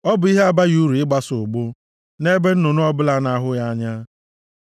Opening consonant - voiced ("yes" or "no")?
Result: yes